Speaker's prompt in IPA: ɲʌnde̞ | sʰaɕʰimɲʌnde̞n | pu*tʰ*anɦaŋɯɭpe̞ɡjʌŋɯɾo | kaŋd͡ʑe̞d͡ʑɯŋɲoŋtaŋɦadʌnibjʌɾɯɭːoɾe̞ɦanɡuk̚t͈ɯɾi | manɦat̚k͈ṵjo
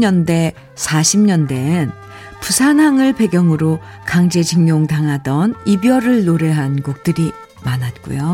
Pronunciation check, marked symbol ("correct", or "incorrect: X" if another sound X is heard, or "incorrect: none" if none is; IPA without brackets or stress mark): incorrect: sʰ